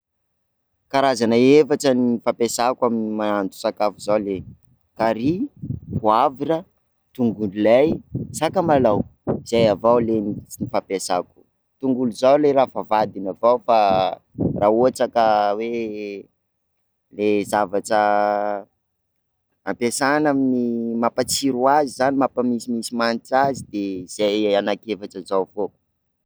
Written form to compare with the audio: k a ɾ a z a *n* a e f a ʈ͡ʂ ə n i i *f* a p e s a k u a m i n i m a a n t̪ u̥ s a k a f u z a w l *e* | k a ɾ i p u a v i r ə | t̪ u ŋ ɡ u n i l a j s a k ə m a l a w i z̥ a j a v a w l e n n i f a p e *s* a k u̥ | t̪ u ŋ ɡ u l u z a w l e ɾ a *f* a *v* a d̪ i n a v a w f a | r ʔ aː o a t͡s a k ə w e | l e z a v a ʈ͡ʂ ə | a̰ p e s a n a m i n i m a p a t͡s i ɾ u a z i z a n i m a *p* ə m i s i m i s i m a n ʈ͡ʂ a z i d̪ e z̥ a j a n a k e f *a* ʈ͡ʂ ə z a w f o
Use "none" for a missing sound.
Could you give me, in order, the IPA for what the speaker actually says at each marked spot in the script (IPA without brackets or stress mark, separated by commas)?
n, f, e, s, f, v, p, a